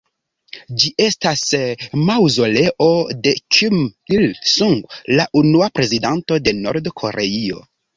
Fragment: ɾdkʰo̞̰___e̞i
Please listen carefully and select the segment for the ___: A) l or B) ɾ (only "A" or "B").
B